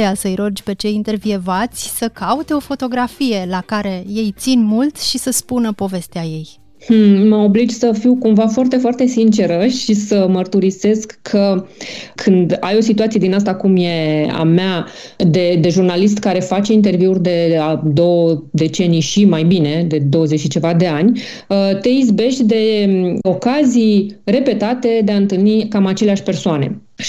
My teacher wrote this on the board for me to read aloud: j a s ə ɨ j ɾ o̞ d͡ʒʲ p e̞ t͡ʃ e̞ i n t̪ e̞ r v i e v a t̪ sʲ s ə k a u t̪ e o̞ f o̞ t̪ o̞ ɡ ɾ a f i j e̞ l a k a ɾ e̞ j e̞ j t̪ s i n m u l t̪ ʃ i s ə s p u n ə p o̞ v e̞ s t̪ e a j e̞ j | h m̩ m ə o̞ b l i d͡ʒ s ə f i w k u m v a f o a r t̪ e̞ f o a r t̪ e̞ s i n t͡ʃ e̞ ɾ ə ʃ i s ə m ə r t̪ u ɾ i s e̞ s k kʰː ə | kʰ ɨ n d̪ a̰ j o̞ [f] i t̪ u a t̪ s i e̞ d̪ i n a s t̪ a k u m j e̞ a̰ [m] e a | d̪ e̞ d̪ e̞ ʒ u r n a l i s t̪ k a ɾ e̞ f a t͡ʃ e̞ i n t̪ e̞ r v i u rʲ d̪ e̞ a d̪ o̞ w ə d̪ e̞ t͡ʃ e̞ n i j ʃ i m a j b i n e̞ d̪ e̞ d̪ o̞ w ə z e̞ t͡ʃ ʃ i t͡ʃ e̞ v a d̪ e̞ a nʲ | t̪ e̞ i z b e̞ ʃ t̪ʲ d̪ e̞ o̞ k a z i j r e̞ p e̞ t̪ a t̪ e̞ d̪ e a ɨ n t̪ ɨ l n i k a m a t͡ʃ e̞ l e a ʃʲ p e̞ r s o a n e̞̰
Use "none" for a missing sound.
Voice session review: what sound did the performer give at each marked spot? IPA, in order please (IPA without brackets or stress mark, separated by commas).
s, m